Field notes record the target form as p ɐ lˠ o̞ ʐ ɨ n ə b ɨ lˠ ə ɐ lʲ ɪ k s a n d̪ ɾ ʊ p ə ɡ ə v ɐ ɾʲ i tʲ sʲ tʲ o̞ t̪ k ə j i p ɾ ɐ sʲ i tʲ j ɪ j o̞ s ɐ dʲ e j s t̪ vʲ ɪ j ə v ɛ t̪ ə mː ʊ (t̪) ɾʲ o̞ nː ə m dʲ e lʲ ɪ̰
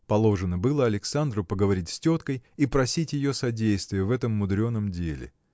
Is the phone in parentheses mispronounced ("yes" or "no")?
yes